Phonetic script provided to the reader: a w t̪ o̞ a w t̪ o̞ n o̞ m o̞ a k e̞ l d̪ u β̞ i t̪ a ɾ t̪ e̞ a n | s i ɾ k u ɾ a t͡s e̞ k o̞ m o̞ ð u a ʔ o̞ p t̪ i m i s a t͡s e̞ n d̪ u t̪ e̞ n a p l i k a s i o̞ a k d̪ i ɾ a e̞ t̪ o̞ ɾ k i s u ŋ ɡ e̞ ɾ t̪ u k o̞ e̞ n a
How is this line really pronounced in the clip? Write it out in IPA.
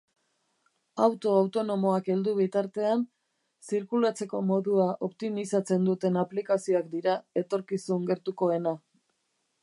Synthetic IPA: a w t̪ o̞ a w t̪ o̞ n o̞ m o̞ a k e̞ l d̪ u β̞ i t̪ a ɾ t̪ e̞ a n | s i ɾ k u l a t͡s e̞ k o̞ m o̞ ð u a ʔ o̞ p t̪ i m i s a t͡s e̞ n d̪ u t̪ e̞ n a p l i k a s i o̞ a k d̪ i ɾ a e̞ t̪ o̞ ɾ k i s u ŋ ɡ e̞ ɾ t̪ u k o̞ e̞ n a